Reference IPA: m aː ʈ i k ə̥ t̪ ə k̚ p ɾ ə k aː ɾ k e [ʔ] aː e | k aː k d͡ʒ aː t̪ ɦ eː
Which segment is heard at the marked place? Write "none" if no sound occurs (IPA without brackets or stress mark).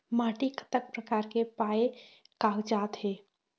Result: p